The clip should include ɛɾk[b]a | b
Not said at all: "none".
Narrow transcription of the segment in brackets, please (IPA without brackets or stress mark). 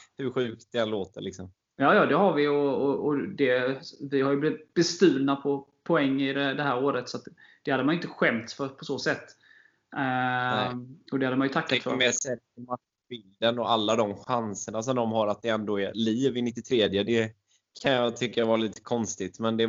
m